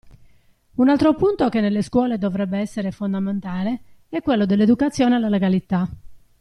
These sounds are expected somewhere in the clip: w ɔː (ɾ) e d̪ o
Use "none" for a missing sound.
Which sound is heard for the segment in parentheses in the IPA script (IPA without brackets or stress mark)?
l